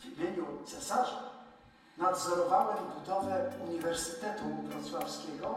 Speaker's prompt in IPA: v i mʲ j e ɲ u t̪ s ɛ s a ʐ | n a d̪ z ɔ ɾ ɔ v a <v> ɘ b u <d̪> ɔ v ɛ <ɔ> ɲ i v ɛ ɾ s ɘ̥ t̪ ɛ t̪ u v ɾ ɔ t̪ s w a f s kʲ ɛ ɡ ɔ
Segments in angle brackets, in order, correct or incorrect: incorrect, correct, incorrect

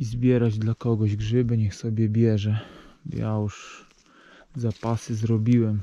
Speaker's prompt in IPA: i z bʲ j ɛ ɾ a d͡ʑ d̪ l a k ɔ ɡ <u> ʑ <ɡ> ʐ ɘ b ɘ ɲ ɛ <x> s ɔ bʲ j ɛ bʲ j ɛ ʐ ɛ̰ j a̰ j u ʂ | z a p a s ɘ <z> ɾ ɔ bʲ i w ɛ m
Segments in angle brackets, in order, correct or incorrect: incorrect, correct, correct, correct

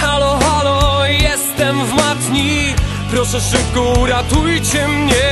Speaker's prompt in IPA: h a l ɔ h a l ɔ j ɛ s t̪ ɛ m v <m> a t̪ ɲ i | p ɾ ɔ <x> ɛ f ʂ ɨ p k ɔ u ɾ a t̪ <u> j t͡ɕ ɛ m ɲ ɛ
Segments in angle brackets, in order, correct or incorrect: correct, incorrect, correct

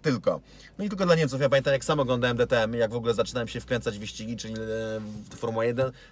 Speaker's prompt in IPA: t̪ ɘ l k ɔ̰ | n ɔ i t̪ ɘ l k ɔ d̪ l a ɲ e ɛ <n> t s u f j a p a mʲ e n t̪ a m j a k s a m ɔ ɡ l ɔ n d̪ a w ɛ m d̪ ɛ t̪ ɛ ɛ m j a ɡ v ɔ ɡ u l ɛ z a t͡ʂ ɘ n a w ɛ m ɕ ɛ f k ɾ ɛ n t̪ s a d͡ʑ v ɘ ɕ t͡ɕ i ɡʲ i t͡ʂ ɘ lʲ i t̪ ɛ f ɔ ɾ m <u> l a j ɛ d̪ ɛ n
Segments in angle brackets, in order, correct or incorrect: incorrect, correct

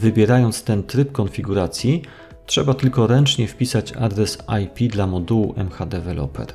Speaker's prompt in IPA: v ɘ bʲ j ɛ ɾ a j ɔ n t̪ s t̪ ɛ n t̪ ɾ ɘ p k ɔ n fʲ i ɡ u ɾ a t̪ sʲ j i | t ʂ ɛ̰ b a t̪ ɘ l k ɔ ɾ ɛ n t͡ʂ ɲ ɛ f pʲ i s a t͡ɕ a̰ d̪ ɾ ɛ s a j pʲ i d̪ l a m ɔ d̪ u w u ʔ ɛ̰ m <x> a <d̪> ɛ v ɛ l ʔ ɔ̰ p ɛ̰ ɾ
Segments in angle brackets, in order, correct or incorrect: correct, correct

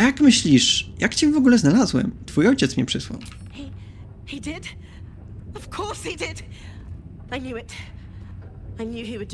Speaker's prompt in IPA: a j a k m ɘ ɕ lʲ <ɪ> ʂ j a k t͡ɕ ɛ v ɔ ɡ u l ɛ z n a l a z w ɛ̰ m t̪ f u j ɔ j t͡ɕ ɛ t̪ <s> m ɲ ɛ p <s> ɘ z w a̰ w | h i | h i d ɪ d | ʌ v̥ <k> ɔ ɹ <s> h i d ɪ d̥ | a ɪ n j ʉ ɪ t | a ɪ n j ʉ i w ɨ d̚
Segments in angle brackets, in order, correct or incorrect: incorrect, correct, incorrect, incorrect, correct

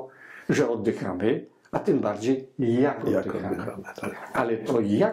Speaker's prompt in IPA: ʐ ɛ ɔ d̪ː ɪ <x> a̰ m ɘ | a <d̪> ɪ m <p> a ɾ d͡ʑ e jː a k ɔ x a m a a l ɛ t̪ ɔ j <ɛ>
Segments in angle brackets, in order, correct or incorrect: correct, incorrect, incorrect, incorrect

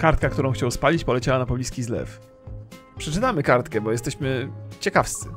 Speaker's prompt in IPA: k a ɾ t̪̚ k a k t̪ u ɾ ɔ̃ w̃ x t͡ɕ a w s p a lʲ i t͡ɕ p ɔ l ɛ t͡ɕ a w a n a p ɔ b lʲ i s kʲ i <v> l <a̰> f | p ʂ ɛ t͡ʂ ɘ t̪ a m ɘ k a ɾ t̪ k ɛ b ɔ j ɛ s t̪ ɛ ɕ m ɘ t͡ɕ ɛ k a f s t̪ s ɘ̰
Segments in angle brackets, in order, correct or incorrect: incorrect, incorrect

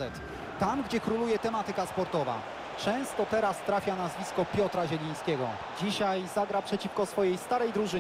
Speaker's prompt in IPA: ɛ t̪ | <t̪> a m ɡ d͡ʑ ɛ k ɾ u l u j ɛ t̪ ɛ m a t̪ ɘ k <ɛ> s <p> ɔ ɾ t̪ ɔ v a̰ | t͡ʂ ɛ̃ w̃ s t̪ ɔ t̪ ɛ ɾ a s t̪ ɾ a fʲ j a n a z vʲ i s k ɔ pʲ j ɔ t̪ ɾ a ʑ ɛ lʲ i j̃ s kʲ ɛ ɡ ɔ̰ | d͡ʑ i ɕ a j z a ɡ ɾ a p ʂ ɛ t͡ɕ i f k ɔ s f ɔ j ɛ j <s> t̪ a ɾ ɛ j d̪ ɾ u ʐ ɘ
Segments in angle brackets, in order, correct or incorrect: correct, incorrect, correct, correct

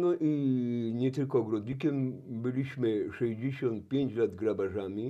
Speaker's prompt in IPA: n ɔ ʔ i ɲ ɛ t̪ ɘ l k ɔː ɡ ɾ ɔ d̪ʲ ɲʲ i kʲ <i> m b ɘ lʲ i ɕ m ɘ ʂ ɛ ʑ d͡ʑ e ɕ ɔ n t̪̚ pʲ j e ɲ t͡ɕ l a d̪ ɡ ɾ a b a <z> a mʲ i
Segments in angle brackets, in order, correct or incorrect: incorrect, incorrect

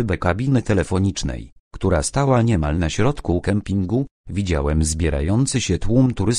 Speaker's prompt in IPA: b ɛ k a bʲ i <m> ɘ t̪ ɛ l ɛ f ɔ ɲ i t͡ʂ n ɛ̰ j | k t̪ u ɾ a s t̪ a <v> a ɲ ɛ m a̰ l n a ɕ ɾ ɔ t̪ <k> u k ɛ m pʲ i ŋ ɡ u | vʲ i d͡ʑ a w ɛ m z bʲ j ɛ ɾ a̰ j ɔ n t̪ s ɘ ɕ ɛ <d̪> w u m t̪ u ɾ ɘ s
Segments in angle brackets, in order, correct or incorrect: incorrect, incorrect, correct, incorrect

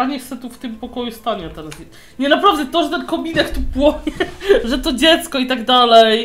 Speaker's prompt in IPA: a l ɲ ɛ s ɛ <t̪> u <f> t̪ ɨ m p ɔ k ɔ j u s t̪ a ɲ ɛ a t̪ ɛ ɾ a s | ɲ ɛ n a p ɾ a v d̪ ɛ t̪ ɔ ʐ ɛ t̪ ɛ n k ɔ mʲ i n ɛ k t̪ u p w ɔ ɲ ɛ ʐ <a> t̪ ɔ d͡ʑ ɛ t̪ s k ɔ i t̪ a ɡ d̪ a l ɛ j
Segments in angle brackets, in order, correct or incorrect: correct, correct, incorrect

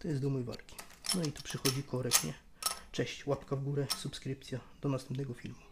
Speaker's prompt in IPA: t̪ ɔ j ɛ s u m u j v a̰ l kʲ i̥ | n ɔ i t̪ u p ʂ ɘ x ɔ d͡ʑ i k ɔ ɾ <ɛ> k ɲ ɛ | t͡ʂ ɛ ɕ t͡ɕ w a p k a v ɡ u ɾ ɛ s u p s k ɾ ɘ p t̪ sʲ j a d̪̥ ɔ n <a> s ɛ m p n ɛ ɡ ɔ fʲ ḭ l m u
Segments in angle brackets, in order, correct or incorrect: correct, correct

